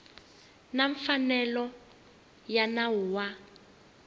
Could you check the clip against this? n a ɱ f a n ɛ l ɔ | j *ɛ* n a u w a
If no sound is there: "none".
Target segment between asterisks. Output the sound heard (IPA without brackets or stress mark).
a